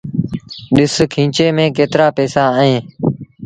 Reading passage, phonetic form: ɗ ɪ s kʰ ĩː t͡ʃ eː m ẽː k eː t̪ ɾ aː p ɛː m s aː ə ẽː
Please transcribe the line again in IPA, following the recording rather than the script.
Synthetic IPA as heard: ɗ ɪ s kʰ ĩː t͡ʃ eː m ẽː k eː t̪ ɾ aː p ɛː s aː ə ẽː